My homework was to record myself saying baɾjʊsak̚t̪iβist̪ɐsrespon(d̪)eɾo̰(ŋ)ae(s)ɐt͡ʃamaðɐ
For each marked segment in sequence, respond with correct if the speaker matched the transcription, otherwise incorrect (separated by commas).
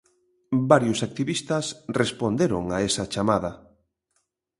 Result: correct, correct, correct